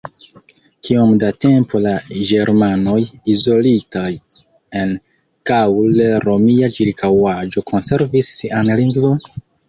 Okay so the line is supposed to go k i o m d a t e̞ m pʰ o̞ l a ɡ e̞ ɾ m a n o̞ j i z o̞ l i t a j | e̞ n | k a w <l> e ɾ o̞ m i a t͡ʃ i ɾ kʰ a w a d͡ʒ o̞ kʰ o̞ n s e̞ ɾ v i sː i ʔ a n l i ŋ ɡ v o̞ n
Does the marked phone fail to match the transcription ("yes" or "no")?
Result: no